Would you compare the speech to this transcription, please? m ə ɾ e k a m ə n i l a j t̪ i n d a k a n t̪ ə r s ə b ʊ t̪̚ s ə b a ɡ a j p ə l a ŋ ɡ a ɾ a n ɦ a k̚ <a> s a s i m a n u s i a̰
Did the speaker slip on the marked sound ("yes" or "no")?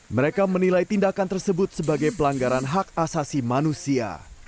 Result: no